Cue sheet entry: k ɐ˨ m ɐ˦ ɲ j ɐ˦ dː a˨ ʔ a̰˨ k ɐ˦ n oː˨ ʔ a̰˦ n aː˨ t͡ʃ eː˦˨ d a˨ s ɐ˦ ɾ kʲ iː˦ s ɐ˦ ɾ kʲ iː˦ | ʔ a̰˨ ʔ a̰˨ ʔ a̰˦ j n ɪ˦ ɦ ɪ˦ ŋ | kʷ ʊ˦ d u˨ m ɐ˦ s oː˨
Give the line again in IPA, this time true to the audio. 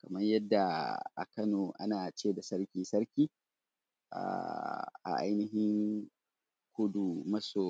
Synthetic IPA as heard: k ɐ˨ m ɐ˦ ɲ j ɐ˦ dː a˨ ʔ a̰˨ k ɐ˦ n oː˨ ʔ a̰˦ n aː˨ t͡ʃ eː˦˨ d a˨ s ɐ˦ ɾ kʲ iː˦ s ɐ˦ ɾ kʲ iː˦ | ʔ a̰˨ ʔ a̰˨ ʔ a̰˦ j n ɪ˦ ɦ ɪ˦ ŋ | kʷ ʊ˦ d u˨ m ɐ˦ s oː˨